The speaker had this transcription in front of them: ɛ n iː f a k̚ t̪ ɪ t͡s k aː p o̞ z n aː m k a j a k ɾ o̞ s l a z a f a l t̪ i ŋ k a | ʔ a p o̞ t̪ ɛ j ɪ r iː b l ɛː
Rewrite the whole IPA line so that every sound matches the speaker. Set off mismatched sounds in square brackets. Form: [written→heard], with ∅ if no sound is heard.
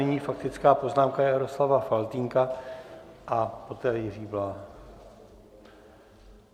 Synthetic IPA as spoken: ɛ [n→ɲ] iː f a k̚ t̪ ɪ t͡s k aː p o̞ z n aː m k a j a [k→∅] ɾ o̞ s l a [z→v] a f a l t̪ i ŋ k a | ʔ a p o̞ t̪ [ɛ→ɛː] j ɪ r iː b l [ɛː→aː]

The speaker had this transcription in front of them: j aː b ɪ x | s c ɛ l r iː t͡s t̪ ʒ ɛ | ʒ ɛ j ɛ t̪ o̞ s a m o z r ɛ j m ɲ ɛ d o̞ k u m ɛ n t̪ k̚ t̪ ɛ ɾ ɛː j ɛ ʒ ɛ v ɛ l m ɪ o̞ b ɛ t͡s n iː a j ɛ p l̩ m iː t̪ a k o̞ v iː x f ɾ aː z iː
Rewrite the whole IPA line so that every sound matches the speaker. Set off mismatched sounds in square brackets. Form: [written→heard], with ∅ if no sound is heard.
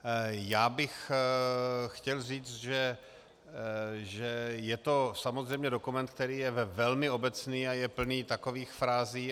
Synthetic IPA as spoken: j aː b ɪ x | [s→x] c ɛ l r iː t͡s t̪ ʒ ɛ | ʒ ɛ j ɛ t̪ o̞ s a m o z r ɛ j m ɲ ɛ d o̞ k u m ɛ n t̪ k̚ t̪ ɛ ɾ [ɛː→iː] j ɛ [ʒ→v] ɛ v ɛ l m ɪ o̞ b ɛ t͡s n iː a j ɛ p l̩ [m→n] iː t̪ a k o̞ v iː x f ɾ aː z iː

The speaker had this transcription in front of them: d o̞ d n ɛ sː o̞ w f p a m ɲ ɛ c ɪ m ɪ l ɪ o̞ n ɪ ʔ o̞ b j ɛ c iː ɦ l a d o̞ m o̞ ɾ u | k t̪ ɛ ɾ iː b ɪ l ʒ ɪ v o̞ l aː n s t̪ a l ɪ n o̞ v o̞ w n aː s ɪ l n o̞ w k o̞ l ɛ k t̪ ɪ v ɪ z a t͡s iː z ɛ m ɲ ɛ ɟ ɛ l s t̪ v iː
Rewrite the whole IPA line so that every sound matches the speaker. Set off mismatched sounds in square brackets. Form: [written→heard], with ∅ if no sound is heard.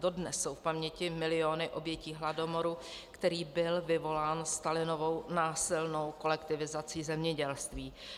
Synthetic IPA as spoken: d o̞ d n ɛ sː o̞ w f p a m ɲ ɛ c ɪ m ɪ l ɪ o̞ n ɪ ʔ o̞ b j ɛ c iː ɦ l a d o̞ m o̞ ɾ u | k t̪ ɛ ɾ iː b ɪ l [ʒ→v] ɪ v o̞ l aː n s t̪ a l ɪ n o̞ v o̞ w n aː s ɪ l n o̞ w k o̞ l ɛ k t̪ ɪ v ɪ z a t͡s iː z ɛ m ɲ ɛ ɟ ɛ l s t̪ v iː

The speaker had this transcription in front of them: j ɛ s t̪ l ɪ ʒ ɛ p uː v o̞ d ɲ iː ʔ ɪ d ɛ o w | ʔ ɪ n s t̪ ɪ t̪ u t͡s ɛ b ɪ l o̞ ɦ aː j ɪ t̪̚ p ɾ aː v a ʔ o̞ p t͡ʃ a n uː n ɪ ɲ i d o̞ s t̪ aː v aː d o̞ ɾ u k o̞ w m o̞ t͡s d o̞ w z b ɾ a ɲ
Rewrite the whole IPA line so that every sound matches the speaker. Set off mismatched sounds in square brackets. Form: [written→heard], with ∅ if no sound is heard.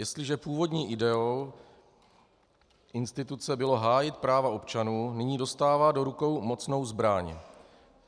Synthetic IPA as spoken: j ɛ s t̪ l ɪ ʒ ɛ p uː v o̞ d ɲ iː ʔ ɪ d ɛ o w | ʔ ɪ n s t̪ ɪ t̪ u t͡s ɛ b ɪ l o̞ ɦ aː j ɪ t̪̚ p ɾ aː v a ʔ o̞ p t͡ʃ a n uː n ɪ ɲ [i→iː] d o̞ s t̪ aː v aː d o̞ ɾ u k o̞ w m o̞ t͡s [d→n] o̞ w z b ɾ a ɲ

